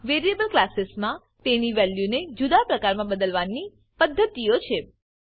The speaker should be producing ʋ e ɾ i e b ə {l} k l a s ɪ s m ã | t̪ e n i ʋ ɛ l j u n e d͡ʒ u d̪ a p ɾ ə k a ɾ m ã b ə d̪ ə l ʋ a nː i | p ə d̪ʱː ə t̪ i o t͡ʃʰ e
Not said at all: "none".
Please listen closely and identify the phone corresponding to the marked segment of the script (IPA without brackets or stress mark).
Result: l